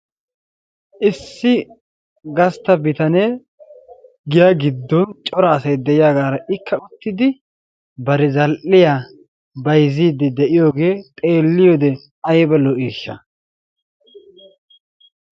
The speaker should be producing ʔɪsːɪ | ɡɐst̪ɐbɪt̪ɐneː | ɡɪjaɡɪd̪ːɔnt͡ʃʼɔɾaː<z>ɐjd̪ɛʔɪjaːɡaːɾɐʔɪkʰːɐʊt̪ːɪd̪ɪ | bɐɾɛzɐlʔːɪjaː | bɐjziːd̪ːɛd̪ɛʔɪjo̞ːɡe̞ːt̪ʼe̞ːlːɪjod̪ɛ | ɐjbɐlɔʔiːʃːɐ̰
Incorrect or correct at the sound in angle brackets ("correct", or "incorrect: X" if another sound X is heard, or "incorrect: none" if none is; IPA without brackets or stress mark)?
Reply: incorrect: s